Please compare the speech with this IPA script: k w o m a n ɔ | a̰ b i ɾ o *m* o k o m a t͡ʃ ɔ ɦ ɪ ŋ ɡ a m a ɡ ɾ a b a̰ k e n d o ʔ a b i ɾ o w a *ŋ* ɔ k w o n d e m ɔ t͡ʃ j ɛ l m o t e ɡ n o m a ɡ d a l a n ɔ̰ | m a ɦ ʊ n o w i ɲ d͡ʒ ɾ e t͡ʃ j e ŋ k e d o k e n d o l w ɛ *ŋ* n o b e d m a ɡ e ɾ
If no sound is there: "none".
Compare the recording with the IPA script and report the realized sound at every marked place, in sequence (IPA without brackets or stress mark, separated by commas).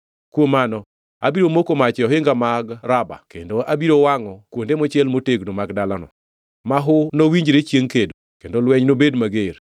m, ŋ, ɲ